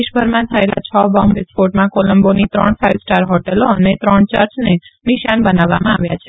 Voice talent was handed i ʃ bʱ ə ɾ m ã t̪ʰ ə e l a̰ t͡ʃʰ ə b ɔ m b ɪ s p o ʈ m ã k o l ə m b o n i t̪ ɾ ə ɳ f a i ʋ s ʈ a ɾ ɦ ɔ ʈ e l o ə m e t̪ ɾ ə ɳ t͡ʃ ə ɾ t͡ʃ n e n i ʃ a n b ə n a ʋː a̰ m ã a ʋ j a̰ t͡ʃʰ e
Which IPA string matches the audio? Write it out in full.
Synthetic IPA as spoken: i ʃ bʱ ə ɾ m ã t̪ʰ ə e l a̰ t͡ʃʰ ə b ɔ m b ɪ s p o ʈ m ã k o l ə m b o n i t̪ ɾ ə ɳ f a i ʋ s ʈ a ɾ ɦ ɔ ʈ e l o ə n e t̪ ɾ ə ɳ t͡ʃ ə ɾ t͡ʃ n e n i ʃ a n b ə n a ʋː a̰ m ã a ʋ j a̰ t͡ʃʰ e